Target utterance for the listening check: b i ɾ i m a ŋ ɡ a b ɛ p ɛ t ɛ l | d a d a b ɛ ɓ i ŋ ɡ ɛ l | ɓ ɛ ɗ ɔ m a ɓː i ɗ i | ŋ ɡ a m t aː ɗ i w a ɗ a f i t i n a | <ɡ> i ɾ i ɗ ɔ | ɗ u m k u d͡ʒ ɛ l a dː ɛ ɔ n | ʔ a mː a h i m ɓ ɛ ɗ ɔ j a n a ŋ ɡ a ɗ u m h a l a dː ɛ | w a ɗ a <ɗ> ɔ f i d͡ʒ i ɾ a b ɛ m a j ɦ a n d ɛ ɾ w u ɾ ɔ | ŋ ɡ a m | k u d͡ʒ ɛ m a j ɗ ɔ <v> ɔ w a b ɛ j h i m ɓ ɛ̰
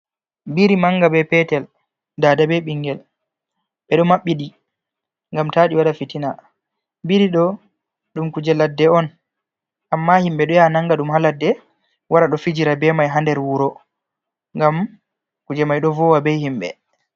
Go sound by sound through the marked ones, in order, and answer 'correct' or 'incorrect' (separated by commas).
incorrect, correct, correct